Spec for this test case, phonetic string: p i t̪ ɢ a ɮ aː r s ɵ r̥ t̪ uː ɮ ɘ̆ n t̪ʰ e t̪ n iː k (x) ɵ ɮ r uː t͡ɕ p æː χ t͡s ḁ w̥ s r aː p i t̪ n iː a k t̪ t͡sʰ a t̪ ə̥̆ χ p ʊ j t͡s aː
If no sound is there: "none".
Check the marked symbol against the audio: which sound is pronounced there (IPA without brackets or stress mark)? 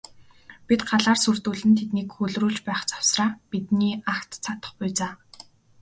x